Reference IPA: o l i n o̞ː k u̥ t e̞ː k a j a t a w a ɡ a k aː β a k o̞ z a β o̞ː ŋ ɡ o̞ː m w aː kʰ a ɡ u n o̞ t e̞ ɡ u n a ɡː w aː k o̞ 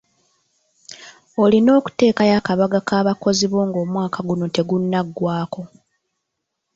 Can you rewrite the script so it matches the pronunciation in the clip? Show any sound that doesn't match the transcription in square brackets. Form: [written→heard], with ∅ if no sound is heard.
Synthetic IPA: o l i n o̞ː k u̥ t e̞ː k a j a [t→k] a [w→β] a ɡ a k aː β a k o̞ z [a→i] β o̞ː ŋ ɡ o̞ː m w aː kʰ a ɡ u n o̞ t e̞ ɡ u [n→nː] a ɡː w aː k o̞